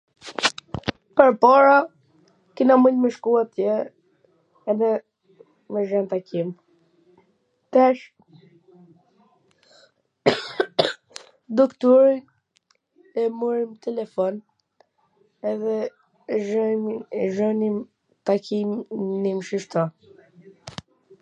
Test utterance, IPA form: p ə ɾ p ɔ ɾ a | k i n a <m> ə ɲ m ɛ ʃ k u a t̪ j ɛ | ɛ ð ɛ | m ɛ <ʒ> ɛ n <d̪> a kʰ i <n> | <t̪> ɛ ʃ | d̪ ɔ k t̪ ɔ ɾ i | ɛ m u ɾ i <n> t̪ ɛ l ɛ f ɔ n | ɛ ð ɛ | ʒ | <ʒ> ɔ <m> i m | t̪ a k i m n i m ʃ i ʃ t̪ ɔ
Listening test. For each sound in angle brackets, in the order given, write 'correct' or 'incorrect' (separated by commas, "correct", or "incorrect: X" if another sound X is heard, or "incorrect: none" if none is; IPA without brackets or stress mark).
correct, correct, incorrect: t̪, incorrect: m, correct, incorrect: m, correct, incorrect: n